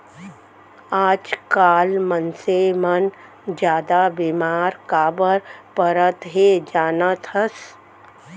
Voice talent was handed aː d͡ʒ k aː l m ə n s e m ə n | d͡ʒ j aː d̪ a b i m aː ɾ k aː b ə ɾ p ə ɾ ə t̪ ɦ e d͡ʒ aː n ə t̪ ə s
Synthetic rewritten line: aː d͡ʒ k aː l m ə n s e m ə n | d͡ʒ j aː d̪ a b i m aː ɾ k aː b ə ɾ p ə ɾ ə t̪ ɦ e d͡ʒ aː n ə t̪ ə s